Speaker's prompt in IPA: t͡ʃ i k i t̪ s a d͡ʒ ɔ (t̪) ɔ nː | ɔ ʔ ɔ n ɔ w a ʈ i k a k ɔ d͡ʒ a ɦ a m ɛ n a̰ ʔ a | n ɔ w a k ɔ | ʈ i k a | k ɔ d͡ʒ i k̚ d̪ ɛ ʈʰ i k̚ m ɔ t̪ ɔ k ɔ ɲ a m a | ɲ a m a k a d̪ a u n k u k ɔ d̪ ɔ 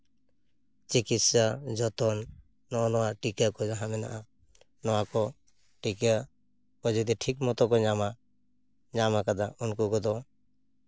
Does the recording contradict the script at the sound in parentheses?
no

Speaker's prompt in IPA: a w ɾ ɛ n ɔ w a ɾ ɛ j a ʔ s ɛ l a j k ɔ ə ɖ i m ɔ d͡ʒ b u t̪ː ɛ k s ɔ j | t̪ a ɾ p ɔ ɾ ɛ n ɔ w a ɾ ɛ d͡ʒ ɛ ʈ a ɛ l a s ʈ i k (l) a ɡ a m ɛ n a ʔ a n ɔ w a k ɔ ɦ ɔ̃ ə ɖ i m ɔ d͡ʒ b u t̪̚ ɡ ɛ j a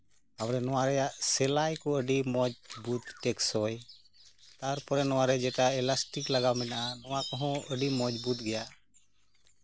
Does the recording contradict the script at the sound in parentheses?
no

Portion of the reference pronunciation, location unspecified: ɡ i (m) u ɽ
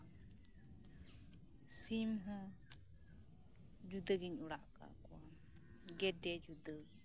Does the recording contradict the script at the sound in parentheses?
yes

